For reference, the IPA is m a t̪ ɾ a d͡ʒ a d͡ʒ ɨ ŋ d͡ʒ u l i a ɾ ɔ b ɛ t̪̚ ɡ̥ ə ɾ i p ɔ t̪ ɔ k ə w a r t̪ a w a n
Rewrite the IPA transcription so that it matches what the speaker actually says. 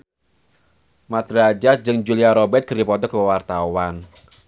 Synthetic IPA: m a t̪ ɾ a d͡ʒ a d͡ʒ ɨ ŋ d͡ʒ u l i a ɾ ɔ b ɛ t̪̚ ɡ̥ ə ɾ i p ɔ t̪ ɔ k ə w a r t̪ a w a n